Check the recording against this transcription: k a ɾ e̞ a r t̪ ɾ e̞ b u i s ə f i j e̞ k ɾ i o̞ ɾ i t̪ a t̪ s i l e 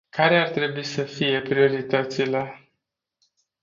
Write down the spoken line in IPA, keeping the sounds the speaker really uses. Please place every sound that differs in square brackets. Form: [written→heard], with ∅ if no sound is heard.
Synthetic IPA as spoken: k a ɾ e̞ a r t̪ ɾ e̞ b u i s ə f i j e̞ [k→p] ɾ i o̞ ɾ i t̪ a t̪ s i l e